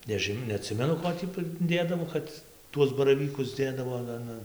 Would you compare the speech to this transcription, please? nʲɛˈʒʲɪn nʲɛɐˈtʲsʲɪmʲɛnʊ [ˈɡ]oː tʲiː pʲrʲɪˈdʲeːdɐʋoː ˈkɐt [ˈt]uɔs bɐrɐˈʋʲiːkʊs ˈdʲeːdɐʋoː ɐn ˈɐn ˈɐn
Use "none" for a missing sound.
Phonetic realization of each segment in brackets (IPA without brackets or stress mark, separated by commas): k, t